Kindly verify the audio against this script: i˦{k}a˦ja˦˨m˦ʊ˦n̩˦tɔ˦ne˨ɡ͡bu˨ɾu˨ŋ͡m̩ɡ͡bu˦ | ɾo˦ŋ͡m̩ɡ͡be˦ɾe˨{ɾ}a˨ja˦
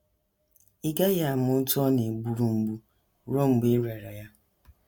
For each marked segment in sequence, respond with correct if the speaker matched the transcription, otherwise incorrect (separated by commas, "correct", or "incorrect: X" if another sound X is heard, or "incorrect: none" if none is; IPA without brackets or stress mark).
incorrect: ɡ, correct